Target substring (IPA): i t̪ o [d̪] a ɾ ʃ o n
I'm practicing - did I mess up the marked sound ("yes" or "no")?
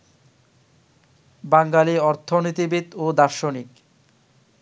no